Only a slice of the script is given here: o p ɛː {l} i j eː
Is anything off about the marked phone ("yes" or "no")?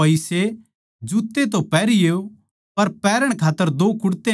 yes